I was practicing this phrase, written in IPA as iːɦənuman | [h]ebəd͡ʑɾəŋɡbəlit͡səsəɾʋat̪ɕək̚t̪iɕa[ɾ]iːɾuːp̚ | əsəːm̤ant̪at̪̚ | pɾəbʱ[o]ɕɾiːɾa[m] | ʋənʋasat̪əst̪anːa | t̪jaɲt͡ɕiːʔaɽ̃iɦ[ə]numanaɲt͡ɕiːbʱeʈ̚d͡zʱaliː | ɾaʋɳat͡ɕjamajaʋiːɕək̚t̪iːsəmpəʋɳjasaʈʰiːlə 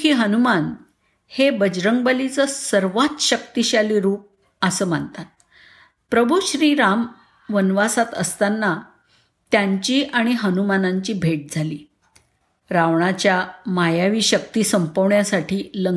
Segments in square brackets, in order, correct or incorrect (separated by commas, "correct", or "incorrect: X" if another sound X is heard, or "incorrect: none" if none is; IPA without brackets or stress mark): correct, incorrect: l, incorrect: u, correct, correct